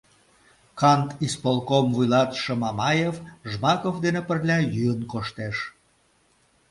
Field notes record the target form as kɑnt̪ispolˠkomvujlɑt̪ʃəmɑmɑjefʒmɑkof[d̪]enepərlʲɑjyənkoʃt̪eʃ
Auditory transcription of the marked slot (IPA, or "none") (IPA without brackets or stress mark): d̪